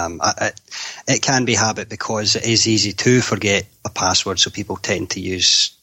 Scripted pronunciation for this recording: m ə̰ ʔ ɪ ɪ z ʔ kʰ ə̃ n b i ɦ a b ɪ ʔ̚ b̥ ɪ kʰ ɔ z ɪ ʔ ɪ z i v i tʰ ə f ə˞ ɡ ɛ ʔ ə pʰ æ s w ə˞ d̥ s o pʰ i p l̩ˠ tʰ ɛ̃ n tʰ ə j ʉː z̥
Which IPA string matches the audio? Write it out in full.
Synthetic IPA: m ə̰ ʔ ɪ ɪ ʔ kʰ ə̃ n b i ɦ a b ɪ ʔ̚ b̥ ɪ kʰ ɔ z ɪ ʔ ɪ z i z i tʰ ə f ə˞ ɡ ɛ ʔ ə pʰ a s w ə˞ d̥ s o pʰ i p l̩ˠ tʰ ɛ̃ n tʰ ə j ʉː z̥